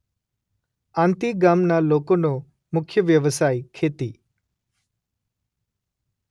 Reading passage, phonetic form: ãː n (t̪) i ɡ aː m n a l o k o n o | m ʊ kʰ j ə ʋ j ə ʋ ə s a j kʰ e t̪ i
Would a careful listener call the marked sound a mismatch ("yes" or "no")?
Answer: no